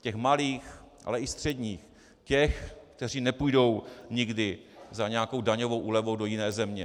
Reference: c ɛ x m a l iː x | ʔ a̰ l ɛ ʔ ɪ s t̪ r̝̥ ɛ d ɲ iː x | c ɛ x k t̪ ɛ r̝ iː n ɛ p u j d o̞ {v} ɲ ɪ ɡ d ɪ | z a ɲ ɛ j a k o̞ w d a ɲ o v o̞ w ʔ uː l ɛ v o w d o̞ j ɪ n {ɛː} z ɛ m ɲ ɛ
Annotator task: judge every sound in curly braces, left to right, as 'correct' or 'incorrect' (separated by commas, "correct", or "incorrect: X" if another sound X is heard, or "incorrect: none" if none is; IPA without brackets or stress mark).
incorrect: w, correct